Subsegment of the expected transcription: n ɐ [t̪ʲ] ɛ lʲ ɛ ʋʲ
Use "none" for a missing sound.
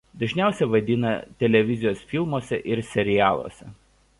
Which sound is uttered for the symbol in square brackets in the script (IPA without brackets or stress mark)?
t̪ʲ